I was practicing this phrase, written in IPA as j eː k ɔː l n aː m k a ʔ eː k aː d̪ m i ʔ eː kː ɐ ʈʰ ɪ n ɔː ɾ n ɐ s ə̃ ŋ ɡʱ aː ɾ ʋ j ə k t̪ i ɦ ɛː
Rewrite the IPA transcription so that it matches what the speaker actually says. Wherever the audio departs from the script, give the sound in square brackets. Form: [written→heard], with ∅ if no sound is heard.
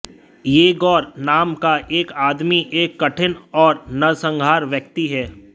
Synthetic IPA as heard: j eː [k→ɡ] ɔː [l→ɾ] n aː m k a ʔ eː k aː d̪ m i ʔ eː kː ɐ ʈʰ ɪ n ɔː ɾ n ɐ s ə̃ ŋ ɡʱ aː ɾ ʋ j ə k t̪ i ɦ ɛː